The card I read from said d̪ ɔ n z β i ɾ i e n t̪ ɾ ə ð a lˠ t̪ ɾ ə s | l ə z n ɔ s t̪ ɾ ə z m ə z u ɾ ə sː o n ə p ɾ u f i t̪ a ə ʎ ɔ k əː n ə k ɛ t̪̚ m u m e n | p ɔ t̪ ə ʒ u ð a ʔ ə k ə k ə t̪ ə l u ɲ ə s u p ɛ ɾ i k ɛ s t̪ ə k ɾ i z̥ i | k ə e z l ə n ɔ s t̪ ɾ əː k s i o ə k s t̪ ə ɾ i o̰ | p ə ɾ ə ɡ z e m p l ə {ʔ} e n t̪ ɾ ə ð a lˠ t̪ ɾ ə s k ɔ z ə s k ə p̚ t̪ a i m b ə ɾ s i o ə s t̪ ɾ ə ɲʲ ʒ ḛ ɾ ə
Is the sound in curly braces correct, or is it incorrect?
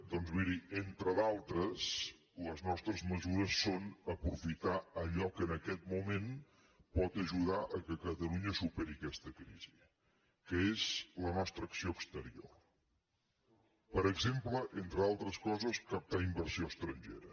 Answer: correct